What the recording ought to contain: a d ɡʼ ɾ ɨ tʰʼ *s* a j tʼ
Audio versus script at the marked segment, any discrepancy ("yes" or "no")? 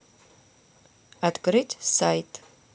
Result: no